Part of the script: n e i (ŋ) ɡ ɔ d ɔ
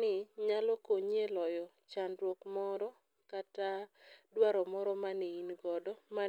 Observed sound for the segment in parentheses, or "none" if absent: n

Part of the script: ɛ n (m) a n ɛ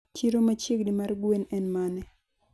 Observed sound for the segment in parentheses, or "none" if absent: m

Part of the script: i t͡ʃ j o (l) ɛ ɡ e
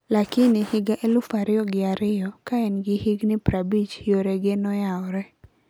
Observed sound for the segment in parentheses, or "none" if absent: ɾ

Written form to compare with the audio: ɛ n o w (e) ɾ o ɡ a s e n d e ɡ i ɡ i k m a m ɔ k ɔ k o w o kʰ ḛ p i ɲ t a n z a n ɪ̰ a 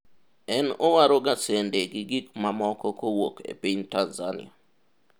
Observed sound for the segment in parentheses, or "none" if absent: a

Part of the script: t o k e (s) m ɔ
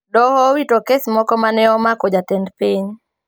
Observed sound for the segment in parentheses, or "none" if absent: s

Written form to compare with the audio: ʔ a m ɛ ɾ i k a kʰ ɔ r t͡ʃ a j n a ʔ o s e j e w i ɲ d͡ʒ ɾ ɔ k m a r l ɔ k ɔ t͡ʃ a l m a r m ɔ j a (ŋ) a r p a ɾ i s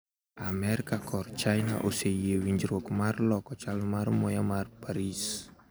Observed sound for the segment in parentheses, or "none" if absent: m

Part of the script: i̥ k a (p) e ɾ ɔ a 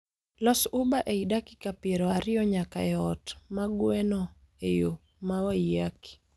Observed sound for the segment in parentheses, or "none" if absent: p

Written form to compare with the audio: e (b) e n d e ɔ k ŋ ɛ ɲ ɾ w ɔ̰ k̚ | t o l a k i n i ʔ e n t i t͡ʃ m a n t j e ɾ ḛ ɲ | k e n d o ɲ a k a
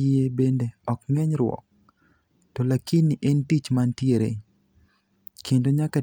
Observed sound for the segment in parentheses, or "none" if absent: b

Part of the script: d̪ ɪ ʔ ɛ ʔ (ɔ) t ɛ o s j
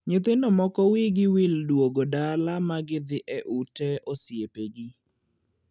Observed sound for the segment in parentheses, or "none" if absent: u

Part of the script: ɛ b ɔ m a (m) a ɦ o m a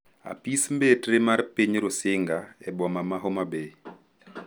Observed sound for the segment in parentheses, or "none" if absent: m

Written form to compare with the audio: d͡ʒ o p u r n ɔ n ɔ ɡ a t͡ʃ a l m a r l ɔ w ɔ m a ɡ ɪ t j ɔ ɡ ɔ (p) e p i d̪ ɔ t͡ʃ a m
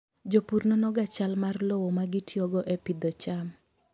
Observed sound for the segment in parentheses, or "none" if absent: ʔ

